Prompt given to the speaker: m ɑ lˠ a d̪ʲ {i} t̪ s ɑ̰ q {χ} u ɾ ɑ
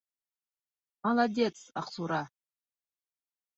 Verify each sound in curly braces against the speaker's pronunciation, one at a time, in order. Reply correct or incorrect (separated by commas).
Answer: incorrect, incorrect